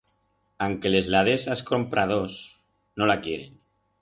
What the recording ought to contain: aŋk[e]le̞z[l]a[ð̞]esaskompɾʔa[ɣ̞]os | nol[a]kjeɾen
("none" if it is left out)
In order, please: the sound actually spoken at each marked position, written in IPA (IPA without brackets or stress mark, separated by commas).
e, l, ð̞, ð̞, a